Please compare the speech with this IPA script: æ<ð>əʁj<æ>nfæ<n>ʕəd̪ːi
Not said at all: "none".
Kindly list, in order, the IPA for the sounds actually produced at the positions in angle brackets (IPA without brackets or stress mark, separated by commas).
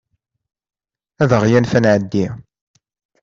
ð, æ, n